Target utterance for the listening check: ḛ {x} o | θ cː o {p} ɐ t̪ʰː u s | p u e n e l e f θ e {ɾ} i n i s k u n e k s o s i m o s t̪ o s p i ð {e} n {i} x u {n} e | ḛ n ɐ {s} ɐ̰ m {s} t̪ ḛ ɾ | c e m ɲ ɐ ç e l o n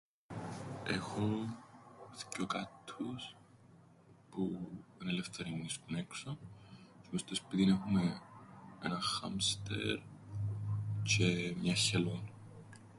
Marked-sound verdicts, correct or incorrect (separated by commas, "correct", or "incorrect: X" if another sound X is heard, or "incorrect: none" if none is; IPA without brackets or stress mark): correct, incorrect: k, correct, incorrect: i, incorrect: e, incorrect: m, incorrect: x, correct